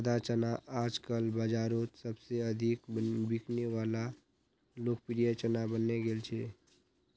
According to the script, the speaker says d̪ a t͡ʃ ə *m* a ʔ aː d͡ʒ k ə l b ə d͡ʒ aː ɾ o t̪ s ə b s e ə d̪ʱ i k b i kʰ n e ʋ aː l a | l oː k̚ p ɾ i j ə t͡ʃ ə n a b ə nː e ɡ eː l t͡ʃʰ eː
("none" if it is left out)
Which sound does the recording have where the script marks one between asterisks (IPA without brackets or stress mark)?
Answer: n